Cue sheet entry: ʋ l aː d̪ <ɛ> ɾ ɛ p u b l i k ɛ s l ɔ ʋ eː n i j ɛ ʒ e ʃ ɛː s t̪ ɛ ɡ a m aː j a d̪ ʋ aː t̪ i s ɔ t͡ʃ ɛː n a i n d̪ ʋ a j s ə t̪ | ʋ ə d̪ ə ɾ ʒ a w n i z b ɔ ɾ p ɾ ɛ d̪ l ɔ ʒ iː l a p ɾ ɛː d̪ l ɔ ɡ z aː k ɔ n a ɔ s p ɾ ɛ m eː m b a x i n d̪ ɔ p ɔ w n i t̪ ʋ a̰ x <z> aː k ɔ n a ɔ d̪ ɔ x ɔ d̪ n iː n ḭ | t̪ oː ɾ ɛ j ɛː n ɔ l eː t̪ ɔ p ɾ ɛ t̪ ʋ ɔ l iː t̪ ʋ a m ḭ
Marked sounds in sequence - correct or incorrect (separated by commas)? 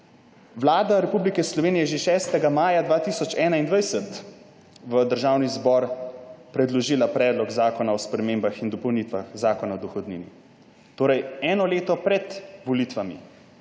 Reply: incorrect, correct